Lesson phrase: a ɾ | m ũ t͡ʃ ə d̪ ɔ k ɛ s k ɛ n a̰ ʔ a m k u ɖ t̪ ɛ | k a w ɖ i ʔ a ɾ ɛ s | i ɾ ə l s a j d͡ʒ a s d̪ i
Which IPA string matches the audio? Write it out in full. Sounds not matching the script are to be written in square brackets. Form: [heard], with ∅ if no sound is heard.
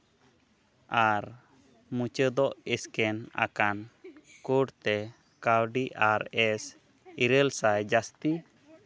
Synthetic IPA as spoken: a ɾ | m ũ t͡ʃ ə d̪ ɔ [ʔ] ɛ s k ɛ n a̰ [k] a [n] k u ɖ t̪ ɛ | k a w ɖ i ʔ a ɾ ɛ s | i ɾ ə l s a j d͡ʒ a s [t̪] i